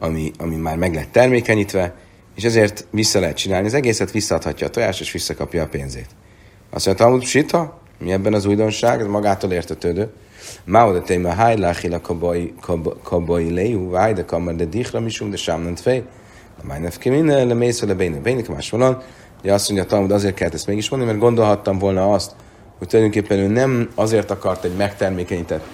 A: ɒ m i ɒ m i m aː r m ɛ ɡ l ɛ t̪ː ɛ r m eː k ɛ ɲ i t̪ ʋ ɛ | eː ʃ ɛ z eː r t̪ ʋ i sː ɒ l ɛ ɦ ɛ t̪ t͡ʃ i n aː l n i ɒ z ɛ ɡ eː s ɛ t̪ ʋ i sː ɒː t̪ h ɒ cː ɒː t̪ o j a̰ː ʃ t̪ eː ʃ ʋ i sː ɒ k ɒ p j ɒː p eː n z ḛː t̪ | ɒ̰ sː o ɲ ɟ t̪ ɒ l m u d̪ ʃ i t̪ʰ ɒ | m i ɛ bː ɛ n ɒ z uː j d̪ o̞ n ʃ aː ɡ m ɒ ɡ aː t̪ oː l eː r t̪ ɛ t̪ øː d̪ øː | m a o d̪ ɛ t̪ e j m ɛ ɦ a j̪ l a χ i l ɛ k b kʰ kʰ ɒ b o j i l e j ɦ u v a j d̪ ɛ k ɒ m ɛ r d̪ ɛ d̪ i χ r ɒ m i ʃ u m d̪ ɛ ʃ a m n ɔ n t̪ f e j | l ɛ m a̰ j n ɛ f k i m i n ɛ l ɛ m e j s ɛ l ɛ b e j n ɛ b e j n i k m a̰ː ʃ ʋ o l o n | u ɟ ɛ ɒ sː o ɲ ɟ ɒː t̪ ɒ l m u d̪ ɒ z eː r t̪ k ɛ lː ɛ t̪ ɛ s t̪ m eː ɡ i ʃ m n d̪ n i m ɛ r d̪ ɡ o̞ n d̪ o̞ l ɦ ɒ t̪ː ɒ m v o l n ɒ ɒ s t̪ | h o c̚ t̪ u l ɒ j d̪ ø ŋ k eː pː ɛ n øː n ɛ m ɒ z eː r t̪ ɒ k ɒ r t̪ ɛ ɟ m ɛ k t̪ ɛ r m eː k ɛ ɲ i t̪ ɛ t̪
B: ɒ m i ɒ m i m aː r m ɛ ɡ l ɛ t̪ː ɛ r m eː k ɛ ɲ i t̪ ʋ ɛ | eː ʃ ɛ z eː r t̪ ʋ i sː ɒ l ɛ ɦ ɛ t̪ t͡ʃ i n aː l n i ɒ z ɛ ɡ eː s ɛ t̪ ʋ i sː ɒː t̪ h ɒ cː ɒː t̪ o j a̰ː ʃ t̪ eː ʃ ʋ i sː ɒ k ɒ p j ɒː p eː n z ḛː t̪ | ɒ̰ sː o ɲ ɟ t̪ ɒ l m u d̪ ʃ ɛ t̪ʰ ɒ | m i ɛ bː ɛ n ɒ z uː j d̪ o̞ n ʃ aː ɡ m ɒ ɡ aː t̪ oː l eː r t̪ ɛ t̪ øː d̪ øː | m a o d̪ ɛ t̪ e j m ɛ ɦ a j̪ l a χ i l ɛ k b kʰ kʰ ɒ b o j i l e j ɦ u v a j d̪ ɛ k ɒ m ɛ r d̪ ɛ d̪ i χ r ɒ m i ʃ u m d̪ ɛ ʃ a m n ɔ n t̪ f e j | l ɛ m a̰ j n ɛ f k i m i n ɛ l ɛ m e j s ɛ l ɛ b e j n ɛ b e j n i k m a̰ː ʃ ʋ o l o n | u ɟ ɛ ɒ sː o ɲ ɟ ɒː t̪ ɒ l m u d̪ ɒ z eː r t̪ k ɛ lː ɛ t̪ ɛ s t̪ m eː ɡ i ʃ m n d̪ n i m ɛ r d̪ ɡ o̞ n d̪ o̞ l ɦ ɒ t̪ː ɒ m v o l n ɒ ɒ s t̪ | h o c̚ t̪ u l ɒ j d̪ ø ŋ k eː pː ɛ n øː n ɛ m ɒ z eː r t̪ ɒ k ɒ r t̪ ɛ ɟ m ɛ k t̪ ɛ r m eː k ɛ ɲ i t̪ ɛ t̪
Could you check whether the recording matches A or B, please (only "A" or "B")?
A